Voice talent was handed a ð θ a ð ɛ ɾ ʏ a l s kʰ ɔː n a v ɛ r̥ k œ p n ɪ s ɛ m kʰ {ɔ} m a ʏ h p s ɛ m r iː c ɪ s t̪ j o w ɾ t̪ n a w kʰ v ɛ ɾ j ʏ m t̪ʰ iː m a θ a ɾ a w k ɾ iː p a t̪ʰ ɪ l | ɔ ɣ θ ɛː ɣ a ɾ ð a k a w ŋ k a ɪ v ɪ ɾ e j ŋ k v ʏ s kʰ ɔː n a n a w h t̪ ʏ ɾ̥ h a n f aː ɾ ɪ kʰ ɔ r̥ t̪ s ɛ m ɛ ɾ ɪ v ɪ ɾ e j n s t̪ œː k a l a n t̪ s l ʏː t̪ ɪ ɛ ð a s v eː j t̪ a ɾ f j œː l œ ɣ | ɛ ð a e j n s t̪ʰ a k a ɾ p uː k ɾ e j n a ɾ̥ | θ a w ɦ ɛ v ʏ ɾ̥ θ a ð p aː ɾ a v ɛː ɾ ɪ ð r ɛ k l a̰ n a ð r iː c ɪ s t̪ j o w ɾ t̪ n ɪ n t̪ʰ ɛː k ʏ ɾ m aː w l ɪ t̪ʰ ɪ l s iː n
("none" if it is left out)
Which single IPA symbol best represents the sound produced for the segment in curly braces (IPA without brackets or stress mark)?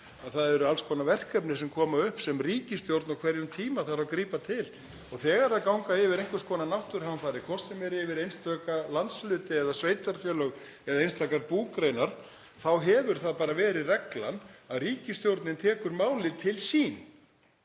ɔː